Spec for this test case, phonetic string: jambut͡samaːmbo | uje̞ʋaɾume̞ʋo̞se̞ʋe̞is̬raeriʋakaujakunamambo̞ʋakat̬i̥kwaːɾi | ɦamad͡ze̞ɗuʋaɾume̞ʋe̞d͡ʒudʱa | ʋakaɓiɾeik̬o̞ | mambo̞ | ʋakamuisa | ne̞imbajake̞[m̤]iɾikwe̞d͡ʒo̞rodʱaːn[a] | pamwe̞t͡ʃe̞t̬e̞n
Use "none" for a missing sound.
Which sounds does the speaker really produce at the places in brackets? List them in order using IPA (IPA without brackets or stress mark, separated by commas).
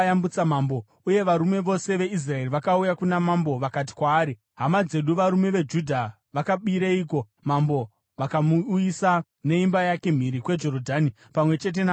m̤, i